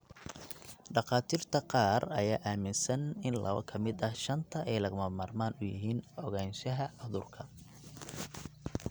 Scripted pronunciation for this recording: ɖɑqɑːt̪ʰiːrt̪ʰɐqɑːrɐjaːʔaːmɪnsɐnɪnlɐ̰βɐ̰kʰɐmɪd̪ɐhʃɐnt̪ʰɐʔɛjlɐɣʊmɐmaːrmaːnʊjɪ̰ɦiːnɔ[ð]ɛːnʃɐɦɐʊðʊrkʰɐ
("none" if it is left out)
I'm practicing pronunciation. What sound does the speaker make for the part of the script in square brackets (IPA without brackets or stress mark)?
ɣ